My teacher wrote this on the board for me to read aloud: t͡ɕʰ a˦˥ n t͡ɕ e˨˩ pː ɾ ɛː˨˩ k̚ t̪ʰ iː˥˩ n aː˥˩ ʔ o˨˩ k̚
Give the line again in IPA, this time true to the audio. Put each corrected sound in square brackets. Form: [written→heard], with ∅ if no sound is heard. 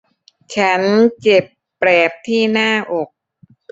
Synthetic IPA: t͡ɕʰ a˦˥ n t͡ɕ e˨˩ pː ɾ ɛː˨˩ [k̚→p̚] t̪ʰ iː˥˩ n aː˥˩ ʔ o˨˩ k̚